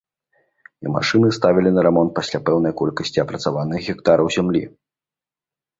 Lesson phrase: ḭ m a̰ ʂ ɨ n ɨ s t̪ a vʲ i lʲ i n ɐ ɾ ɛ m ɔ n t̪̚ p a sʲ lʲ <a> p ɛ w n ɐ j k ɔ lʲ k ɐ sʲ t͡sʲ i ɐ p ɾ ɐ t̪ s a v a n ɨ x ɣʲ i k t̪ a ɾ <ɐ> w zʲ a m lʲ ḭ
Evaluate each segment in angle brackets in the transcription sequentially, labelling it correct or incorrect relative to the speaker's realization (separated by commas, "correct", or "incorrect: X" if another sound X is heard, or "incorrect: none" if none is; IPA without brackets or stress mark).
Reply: correct, correct